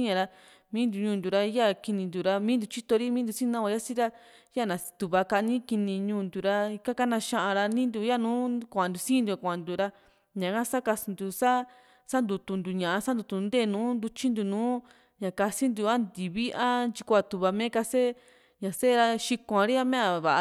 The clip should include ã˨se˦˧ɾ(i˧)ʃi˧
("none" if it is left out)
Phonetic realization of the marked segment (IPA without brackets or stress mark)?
a˧